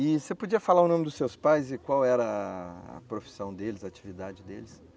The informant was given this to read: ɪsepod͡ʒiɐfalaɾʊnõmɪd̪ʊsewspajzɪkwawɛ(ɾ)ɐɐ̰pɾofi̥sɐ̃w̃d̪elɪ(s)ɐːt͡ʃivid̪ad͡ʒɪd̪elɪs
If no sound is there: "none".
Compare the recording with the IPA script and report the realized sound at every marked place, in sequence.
ɾ, z

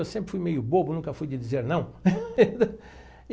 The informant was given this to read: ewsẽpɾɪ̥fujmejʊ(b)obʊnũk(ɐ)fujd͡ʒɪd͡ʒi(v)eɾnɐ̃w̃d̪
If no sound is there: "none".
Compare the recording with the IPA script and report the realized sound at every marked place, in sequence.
b, ɐ, z

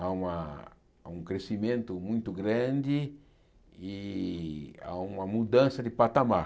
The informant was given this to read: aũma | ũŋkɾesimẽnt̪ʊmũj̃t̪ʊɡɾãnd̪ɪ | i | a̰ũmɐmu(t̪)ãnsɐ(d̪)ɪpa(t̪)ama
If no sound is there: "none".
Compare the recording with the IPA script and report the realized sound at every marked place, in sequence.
d̪, d̪, t̪

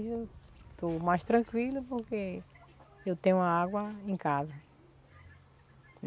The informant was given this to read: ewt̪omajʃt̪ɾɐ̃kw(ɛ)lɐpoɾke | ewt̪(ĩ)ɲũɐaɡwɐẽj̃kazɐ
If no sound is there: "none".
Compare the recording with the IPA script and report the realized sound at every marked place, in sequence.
i, ẽ

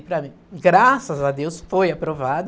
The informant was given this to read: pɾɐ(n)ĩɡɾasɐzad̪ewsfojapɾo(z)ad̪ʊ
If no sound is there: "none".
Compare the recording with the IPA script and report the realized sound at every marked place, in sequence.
m, v

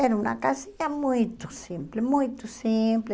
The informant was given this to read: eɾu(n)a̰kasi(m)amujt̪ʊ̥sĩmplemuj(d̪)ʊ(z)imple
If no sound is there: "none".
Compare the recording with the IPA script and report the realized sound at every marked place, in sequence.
n, ɲ, t̪, s

